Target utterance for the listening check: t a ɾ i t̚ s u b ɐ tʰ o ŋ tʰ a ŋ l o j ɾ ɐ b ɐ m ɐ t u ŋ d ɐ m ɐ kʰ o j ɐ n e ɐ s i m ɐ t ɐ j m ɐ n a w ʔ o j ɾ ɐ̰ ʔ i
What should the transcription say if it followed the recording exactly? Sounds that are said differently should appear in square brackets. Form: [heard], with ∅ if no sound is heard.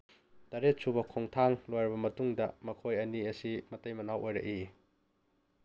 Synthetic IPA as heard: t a ɾ [e] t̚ s u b ɐ [kʰ] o ŋ tʰ a ŋ l o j ɾ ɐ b ɐ m ɐ t u ŋ d ɐ m ɐ kʰ o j ɐ n [i] ɐ s i m ɐ t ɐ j m ɐ n a w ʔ o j ɾ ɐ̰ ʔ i